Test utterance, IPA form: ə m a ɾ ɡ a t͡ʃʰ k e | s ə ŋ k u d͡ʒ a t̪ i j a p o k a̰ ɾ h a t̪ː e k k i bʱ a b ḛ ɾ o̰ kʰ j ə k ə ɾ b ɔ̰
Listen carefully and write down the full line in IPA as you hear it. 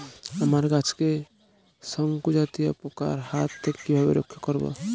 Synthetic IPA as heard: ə m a ɾ ɡ a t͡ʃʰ k e | s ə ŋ k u d͡ʒ a t̪ i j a p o k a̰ ɾ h a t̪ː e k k i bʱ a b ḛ ɾ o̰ kʰ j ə k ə ɾ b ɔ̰